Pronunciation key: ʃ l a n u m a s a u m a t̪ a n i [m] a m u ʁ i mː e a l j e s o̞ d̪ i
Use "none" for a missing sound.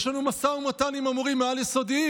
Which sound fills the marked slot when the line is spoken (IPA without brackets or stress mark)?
m